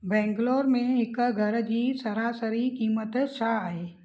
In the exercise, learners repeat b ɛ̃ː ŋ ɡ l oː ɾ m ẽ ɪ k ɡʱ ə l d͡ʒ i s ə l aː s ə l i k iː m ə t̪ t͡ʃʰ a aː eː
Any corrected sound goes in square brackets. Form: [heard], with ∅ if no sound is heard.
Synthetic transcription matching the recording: b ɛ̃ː ŋ ɡ l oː ɾ m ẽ ɪ k ɡʱ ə [ɾ] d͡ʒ i s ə [ɾ] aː s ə [ɾ] i k iː m ə t̪ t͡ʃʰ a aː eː